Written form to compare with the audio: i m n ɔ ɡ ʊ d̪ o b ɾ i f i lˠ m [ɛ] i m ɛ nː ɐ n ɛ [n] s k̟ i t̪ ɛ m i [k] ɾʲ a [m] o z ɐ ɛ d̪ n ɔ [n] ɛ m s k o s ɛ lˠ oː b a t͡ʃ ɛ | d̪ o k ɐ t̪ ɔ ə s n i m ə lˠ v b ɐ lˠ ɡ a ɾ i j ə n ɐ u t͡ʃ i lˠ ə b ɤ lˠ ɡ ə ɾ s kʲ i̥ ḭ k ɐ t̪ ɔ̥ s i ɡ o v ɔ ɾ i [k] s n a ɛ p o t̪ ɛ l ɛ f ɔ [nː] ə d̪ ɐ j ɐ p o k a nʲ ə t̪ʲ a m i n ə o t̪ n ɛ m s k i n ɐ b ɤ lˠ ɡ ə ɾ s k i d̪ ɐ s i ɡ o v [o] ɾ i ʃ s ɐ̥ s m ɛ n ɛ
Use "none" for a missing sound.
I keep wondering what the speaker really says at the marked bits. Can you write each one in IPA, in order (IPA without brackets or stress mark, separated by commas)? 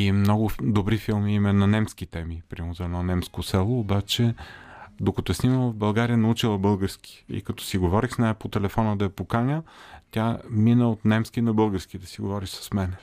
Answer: i, m, p, m, n, x, n, ɔ